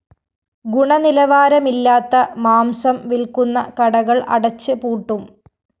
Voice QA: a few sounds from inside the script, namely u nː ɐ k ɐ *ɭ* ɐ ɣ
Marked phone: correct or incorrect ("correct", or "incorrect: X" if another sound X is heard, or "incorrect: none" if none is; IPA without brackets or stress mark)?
incorrect: ɽ